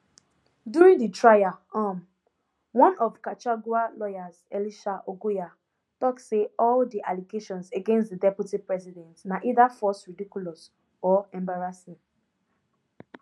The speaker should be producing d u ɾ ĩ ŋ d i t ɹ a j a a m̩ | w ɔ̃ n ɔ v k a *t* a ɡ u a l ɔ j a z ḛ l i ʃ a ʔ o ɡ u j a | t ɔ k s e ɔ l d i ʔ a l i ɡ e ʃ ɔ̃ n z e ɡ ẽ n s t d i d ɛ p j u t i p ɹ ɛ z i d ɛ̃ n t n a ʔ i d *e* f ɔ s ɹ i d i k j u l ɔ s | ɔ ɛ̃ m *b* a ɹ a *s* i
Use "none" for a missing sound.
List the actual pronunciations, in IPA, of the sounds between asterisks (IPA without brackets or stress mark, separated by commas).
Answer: t͡ʃ, a, b, s